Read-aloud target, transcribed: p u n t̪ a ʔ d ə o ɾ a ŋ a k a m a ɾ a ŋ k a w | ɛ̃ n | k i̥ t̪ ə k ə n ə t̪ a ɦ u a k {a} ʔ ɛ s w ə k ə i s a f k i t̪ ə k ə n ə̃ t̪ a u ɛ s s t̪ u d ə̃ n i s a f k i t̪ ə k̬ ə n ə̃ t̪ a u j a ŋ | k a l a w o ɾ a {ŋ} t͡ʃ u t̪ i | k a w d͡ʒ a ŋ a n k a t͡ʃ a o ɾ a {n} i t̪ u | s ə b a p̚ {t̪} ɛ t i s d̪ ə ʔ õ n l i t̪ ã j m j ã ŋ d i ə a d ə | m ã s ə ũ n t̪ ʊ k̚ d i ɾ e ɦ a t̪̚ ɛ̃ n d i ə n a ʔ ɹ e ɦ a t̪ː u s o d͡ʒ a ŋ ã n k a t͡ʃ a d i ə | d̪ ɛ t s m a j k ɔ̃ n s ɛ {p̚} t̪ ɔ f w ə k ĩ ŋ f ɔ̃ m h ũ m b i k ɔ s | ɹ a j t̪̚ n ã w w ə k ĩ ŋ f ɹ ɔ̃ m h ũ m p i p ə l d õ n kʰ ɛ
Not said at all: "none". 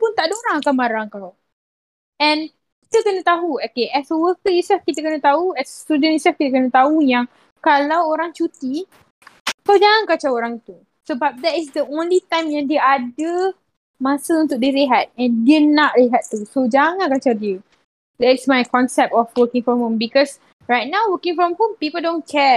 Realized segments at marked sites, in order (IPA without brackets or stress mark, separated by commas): e, ŋ, ŋ, d̪, p̚